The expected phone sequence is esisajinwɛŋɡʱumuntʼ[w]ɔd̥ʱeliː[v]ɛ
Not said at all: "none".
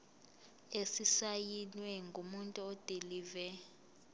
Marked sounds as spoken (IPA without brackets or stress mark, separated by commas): u, v